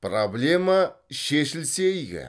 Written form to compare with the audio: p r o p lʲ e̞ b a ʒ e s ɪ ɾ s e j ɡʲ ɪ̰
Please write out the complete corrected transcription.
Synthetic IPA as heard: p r o b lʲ e̞ m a ʃ e ʃ ɪ l s e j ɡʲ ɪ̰